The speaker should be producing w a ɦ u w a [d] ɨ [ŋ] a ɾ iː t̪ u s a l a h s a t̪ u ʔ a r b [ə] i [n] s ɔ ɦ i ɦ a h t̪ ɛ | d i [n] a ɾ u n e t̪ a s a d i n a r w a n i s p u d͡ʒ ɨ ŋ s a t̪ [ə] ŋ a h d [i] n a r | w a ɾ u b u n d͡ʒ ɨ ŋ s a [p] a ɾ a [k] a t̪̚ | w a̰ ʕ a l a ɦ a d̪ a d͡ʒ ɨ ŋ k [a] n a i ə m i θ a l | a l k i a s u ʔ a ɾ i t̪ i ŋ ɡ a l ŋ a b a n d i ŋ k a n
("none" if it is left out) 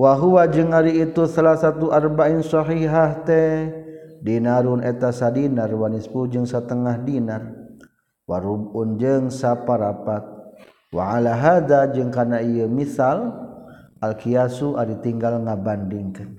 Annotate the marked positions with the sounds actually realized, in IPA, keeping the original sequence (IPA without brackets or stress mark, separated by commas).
d͡ʒ, ŋ, a, n, n, ə, i, p, p, a